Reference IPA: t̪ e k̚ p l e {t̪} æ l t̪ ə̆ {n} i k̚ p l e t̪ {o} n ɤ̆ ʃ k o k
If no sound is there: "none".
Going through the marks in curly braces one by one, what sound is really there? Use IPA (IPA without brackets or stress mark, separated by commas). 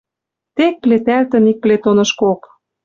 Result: t̪, n, o